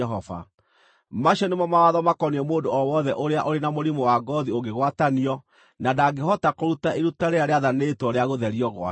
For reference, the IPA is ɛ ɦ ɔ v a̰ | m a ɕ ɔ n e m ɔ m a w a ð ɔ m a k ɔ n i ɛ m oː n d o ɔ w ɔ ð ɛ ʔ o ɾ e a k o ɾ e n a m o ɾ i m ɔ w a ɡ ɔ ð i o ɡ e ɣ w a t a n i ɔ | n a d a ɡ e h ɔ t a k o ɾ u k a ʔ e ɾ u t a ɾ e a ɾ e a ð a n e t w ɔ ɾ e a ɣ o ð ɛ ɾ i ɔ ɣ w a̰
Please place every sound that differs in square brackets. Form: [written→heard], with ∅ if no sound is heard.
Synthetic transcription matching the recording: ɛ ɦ ɔ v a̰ | m a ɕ ɔ n e m ɔ m a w a ð ɔ m a k ɔ n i ɛ m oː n d o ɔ w ɔ ð ɛ ʔ o ɾ e a [k→ʔ] o ɾ e n a m o ɾ i m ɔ w a ɡ ɔ ð i o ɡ e ɣ w a t a n i ɔ | n a d a ɡ e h ɔ t a k o ɾ u [k→t] a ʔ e ɾ u t a ɾ e a ɾ e a ð a n e t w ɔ ɾ e a ɣ o ð ɛ ɾ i ɔ ɣ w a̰